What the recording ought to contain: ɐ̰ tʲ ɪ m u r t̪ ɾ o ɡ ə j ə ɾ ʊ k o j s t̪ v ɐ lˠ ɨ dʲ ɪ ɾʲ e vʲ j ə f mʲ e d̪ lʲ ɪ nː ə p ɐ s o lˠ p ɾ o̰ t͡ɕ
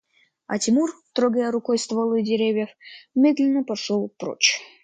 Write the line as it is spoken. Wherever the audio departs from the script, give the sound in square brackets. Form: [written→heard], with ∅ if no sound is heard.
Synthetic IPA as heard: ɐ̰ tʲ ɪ m u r t̪ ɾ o ɡ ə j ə ɾ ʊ k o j s t̪ v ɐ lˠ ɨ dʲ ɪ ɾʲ e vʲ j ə f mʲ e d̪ lʲ ɪ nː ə p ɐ [s→ʂ] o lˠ p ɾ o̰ t͡ɕ